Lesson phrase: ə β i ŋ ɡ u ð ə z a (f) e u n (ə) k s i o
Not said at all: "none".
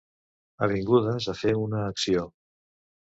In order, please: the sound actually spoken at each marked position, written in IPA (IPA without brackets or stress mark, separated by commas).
f, əː